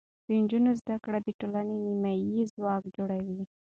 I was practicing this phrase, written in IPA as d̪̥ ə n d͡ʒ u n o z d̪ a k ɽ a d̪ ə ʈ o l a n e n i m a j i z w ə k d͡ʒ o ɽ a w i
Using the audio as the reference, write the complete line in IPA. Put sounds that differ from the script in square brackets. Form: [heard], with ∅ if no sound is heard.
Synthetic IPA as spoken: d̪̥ ə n d͡ʒ u n o z d̪ a k ɽ a d̪ ə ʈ o l a n e n i m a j i z w [ɑ] k d͡ʒ o ɽ a w i